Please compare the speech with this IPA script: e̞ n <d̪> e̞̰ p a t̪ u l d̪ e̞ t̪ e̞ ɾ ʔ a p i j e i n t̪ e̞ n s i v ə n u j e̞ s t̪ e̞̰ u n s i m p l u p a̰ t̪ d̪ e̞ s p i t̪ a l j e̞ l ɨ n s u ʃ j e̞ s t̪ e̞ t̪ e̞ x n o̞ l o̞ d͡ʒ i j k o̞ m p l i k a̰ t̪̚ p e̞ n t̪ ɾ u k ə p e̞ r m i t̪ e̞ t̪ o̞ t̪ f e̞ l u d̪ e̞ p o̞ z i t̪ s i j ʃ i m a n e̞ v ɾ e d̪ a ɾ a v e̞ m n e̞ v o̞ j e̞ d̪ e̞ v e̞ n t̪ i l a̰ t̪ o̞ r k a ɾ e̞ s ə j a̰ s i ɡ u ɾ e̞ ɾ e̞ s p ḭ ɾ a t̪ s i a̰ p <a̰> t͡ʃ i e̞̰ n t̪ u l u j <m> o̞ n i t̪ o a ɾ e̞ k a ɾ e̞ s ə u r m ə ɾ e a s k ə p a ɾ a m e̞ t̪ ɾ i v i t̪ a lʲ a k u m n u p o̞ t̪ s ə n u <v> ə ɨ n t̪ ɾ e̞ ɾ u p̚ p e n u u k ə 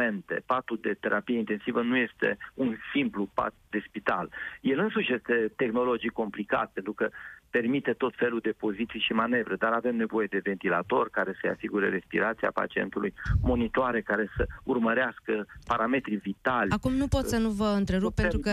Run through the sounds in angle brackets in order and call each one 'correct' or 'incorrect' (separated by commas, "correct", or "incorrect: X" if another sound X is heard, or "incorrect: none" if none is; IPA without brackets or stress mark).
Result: incorrect: t̪, correct, correct, correct